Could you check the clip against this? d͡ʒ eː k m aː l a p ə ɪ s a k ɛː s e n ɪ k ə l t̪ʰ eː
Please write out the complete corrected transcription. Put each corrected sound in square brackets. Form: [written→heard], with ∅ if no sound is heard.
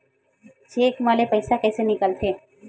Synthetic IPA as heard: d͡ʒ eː k m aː l [a→e] p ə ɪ s a k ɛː s e n ɪ k ə l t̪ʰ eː